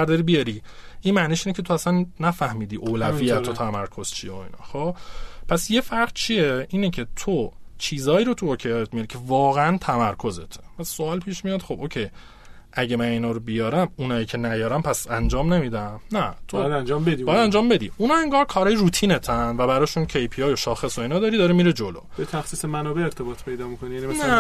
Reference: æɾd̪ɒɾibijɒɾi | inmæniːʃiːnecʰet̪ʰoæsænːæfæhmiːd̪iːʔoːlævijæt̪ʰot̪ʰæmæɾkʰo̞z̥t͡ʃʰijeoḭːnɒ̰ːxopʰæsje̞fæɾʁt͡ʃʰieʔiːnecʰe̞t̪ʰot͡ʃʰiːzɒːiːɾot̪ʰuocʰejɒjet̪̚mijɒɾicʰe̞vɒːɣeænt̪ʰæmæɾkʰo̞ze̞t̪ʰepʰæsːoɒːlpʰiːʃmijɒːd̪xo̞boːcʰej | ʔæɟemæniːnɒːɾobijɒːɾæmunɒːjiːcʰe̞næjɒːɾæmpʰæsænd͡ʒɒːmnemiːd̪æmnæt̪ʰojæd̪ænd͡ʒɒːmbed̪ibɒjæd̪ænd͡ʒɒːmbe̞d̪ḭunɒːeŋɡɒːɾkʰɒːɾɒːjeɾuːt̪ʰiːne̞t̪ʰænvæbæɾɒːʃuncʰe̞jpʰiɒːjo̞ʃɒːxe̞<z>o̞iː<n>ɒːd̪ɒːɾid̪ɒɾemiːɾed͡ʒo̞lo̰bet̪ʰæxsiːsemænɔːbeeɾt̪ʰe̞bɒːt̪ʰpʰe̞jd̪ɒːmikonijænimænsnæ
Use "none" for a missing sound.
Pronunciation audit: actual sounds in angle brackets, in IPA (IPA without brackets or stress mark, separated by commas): s, n